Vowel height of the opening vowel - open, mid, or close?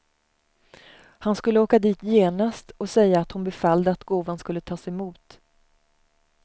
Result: open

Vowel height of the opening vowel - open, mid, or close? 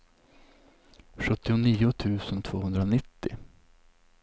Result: mid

